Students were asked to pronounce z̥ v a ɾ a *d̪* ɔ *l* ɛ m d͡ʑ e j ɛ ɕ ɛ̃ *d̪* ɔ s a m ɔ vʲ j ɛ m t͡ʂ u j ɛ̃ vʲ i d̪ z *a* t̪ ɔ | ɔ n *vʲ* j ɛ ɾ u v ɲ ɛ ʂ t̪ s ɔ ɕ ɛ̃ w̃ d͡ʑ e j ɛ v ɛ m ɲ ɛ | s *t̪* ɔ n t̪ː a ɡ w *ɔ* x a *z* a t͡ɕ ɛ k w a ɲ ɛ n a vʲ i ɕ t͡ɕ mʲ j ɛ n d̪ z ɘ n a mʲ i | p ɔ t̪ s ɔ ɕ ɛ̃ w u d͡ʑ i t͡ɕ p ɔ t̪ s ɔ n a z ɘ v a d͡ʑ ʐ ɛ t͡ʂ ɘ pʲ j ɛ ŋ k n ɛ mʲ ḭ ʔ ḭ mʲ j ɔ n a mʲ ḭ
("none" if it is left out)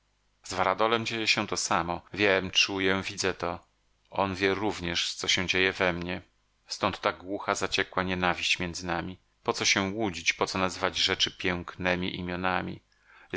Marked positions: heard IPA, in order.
d̪, l, t̪, ɛ, vʲ, t̪, u, z

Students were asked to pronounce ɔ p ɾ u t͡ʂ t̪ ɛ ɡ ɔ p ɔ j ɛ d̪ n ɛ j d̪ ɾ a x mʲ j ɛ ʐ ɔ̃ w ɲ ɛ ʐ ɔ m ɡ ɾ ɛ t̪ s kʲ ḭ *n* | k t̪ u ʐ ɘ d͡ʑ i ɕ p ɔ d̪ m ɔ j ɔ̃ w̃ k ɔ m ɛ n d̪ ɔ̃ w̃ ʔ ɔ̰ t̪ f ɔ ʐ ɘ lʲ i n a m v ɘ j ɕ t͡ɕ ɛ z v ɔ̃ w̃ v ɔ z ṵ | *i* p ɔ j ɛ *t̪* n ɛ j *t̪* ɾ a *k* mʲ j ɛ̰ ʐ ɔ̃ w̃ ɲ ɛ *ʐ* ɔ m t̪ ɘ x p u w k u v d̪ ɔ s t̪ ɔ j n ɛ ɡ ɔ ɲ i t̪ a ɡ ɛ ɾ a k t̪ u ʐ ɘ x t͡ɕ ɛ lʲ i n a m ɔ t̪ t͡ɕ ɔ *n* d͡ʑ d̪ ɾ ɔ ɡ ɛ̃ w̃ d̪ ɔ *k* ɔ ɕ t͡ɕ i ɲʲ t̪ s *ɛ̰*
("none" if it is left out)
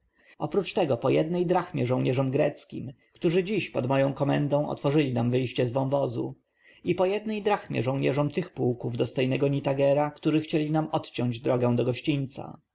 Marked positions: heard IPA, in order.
m, i, d̪, d̪, x, ʐ, ɲ, ɡ, a̰

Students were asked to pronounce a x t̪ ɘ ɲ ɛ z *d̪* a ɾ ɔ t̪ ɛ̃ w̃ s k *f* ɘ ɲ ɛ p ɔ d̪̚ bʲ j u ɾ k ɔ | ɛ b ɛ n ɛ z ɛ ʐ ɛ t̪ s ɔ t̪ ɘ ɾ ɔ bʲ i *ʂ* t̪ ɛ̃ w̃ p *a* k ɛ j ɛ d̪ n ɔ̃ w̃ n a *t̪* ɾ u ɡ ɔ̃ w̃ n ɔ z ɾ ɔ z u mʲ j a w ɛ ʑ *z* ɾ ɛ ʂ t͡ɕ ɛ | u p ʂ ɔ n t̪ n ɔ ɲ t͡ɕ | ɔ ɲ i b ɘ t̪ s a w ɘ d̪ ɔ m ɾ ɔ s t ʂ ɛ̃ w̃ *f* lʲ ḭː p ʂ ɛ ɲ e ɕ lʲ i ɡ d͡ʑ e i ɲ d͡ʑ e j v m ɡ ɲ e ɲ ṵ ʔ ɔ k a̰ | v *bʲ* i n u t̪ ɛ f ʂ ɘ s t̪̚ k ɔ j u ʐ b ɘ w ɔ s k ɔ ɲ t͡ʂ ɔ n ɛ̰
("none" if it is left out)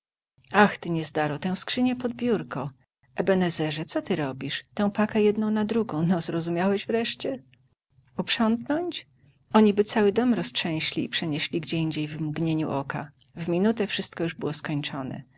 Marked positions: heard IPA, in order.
d̪, ʂ, ʂ, a, d̪, v, ɕ, mʲ

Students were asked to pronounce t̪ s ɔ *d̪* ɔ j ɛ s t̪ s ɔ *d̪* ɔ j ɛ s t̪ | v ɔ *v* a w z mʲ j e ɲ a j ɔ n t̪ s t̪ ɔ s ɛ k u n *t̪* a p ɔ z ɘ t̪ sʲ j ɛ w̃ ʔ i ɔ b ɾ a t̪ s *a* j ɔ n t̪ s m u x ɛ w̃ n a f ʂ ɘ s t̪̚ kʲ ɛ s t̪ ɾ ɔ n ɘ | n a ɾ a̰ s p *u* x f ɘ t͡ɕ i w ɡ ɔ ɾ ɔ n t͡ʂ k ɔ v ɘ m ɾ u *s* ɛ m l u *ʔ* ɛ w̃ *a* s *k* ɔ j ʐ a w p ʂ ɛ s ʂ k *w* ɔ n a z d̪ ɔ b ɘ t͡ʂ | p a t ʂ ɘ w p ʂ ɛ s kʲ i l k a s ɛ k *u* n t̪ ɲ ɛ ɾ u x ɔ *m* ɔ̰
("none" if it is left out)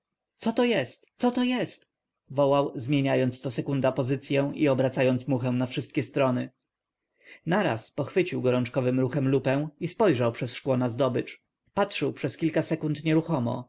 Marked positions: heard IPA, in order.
t̪, t̪, w, d̪, a, ɔ, x, p, i, p, w, u, m

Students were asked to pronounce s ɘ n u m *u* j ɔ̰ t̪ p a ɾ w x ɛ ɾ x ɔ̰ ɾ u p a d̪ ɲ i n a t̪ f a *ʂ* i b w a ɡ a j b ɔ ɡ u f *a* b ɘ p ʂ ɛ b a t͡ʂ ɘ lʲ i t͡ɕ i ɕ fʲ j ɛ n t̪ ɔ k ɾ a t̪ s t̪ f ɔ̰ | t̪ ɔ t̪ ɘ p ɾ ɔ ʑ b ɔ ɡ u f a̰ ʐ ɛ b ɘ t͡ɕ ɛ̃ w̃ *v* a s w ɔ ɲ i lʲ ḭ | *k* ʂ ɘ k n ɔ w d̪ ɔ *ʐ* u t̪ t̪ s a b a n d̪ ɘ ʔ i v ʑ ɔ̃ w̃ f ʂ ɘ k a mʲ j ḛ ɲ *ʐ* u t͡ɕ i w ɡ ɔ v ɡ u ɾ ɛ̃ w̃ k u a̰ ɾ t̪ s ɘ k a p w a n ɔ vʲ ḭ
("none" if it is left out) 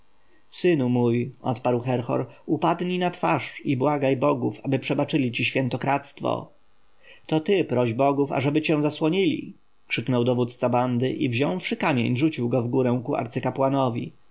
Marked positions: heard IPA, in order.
u, ʂ, a, z, k, v, ʐ

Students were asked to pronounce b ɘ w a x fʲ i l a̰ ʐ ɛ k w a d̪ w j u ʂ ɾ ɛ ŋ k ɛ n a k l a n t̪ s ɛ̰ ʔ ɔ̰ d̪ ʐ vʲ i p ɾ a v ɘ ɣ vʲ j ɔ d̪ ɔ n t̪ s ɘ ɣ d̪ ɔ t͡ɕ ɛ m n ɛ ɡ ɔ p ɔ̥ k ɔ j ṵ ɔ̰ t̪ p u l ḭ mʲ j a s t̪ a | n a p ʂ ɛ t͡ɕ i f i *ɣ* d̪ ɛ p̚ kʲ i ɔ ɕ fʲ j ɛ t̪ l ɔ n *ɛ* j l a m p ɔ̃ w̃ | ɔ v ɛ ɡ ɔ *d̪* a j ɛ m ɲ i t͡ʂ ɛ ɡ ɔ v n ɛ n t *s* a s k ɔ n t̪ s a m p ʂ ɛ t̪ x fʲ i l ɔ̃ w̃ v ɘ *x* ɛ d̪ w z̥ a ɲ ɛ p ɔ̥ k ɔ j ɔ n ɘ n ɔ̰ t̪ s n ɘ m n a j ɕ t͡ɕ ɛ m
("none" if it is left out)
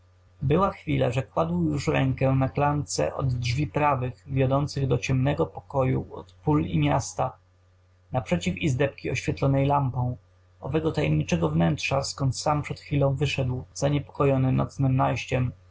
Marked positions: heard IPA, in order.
z, ɛ, t̪, ʂ, ʂ

